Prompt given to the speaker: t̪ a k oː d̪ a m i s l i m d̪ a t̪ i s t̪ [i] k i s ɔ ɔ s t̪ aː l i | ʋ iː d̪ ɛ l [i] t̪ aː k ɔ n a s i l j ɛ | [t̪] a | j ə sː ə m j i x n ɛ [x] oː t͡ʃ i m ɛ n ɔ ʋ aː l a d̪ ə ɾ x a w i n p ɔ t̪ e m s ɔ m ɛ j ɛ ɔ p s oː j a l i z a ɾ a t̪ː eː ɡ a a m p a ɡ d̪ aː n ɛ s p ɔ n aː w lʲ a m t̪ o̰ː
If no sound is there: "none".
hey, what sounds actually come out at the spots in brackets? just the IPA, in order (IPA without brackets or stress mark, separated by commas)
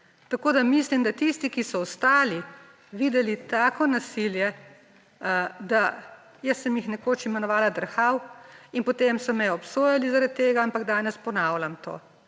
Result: i, i, d̪, k